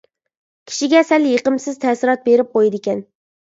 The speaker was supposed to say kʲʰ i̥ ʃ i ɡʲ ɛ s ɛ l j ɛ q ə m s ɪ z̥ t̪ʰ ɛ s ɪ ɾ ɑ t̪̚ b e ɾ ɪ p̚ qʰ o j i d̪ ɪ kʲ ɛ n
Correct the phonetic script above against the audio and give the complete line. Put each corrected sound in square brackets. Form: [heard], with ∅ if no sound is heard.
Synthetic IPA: kʲʰ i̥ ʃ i ɡʲ ɛ s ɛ l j [e] q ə m s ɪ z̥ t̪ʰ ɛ s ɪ ɾ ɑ t̪̚ b e ɾ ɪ p̚ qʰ o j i d̪ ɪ kʲ ɛ n